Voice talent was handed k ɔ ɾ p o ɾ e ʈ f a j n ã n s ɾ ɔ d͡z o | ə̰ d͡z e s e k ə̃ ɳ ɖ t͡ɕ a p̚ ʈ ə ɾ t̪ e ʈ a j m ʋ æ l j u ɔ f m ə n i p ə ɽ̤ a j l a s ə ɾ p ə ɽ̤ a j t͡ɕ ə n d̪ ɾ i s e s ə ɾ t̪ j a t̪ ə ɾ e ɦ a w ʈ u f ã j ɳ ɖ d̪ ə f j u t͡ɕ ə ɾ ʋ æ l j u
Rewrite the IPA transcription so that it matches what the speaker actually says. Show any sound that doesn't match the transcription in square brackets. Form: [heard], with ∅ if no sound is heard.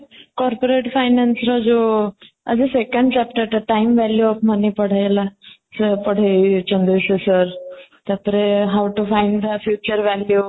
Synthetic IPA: k ɔ ɾ p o ɾ e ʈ f a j n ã n s ɾ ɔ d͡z o | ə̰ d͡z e s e k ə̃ ɳ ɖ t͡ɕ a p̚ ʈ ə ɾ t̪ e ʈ a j m ʋ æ l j u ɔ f m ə n i p ə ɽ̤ a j l a s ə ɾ p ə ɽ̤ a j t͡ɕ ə n d̪ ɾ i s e s ə ɾ t̪ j a t̪ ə ɾ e ɦ a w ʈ u f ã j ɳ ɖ d̪ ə f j u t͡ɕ ə ɾ ʋ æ l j u